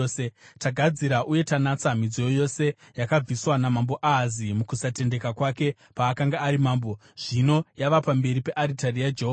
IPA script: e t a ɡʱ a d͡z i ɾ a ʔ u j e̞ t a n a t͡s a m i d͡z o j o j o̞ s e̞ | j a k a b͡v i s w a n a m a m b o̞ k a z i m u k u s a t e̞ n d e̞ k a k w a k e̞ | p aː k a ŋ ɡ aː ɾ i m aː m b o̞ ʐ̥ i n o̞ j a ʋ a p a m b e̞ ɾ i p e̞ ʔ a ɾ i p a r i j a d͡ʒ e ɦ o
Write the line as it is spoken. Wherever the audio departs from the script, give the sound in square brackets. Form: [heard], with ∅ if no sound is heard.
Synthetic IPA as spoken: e t a ɡʱ a d͡z i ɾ a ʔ u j e̞ t a n a t͡s a m i d͡z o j o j o̞ s e̞ | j a k a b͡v i s w a n a m a m b o̞ [ʔ] a z i m u k u s a t e̞ n d e̞ k a k w a k e̞ | p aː k a ŋ ɡ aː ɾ i m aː m b o̞ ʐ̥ i n o̞ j a ʋ a p a m b e̞ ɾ i p e̞ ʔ a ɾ i [t] a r i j a d͡ʒ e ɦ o